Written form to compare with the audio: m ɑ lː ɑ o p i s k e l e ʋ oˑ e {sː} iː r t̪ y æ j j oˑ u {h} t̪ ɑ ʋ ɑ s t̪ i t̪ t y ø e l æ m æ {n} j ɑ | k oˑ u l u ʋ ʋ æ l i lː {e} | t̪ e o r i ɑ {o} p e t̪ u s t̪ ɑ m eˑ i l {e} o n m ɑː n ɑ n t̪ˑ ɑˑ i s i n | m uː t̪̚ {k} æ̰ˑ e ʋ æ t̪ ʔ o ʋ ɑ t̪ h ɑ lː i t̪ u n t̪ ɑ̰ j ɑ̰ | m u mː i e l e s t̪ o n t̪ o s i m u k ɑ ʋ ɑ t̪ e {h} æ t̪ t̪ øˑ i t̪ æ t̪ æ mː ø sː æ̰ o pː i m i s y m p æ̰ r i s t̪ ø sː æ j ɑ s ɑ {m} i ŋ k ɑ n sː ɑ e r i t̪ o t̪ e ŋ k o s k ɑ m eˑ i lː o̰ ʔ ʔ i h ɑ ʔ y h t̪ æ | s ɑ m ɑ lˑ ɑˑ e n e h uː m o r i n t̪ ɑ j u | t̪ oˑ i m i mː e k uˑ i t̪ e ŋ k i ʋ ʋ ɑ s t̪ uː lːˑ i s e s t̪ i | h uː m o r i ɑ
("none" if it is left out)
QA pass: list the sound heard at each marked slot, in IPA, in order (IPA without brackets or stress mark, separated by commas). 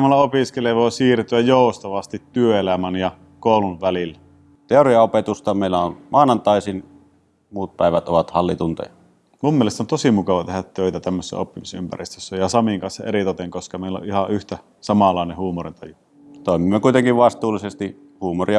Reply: s, s, n, æ, o, æ, p, h, m